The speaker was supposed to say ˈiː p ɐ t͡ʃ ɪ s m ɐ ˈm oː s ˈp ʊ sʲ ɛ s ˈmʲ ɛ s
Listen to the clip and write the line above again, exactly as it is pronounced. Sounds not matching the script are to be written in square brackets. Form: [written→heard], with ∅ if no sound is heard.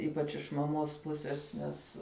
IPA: ˈiː p ɐ t͡ʃ ɪ [s→ʃ] m ɐ ˈm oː s ˈp ʊ sʲ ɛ s [ˈmʲ→ˈnʲ] ɛ s

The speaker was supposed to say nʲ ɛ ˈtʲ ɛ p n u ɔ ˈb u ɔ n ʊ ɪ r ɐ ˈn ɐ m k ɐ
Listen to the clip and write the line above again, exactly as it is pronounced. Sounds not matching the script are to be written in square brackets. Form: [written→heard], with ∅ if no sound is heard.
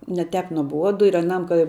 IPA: nʲ ɛ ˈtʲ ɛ p n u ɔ ˈb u ɔ [n→d] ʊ ɪ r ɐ ˈn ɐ m k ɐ

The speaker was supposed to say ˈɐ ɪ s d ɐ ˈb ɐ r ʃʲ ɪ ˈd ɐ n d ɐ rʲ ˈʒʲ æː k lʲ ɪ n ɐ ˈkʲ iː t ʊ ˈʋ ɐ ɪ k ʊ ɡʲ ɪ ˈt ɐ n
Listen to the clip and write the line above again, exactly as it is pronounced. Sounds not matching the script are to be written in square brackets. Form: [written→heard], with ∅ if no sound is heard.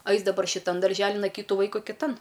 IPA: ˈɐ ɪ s d ɐ ˈb ɐ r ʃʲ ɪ [ˈd→ˈt] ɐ n d ɐ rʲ ˈʒʲ æː [k→∅] lʲ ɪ n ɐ ˈkʲ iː t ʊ ˈʋ ɐ ɪ k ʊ [ɡʲ→kʲ] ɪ ˈt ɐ n

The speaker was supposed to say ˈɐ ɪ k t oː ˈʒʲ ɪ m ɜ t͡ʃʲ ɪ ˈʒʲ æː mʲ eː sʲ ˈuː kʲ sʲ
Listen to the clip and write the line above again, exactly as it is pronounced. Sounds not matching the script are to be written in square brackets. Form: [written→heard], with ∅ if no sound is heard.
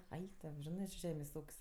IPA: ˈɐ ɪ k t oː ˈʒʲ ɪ [m→n] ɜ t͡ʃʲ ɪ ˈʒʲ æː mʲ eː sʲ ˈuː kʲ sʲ

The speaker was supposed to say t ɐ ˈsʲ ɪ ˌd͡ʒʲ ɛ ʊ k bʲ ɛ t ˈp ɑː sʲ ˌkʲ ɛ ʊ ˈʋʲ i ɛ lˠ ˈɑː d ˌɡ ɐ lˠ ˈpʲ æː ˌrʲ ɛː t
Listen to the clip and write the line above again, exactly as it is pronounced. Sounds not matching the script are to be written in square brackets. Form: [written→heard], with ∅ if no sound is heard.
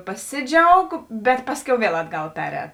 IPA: [t→p] ɐ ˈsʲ ɪ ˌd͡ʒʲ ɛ ʊ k bʲ ɛ t ˈp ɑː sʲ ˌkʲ ɛ ʊ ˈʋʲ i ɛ lˠ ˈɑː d ˌɡ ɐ lˠ ˈpʲ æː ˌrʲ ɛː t

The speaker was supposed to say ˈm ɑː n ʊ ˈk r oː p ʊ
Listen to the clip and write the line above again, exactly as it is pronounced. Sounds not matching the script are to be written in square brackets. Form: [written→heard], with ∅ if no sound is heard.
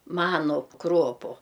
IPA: ˈm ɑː n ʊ ˈk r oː p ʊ

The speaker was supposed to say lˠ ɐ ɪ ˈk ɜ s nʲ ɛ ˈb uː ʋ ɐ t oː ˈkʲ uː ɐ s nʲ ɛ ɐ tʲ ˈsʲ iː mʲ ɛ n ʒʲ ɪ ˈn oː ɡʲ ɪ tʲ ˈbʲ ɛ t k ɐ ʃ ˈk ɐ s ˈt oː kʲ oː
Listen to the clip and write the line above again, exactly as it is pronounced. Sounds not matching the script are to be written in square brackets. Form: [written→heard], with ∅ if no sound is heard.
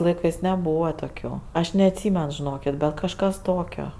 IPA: lˠ ɐ ɪ ˈk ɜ s nʲ ɛ ˈb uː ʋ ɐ t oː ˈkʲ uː ɐ [s→ʃ] nʲ ɛ ɐ tʲ ˈsʲ iː mʲ ɛ n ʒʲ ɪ ˈn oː [ɡʲ→kʲ] ɪ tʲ ˈbʲ ɛ t k ɐ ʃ ˈk ɐ s ˈt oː kʲ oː

